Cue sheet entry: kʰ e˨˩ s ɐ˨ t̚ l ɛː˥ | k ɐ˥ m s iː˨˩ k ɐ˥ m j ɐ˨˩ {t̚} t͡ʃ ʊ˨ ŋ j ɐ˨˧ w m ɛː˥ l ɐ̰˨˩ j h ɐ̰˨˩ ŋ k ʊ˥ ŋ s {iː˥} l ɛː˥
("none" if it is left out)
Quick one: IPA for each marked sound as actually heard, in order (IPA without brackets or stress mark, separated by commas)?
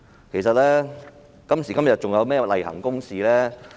t̚, iː˨